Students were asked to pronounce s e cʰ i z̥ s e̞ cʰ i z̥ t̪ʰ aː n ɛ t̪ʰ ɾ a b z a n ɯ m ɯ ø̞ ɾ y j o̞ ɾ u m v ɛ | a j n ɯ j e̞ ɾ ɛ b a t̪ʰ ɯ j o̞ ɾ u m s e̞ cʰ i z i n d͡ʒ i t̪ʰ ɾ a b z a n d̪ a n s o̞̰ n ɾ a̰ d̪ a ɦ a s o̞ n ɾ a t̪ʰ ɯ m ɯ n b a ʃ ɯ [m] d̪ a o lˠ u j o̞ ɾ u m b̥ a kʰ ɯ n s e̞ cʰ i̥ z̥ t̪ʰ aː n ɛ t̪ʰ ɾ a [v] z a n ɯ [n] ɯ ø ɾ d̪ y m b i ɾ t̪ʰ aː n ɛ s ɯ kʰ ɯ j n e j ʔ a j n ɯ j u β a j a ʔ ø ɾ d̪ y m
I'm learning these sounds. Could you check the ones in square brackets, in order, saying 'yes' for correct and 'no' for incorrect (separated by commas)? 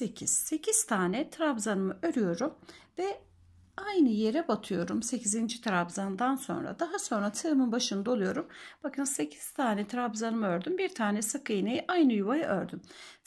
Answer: no, no, no